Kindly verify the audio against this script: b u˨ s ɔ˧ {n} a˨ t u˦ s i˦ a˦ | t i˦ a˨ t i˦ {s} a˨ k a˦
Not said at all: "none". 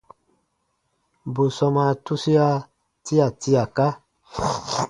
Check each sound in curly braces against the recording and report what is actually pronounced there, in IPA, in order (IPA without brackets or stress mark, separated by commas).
m, none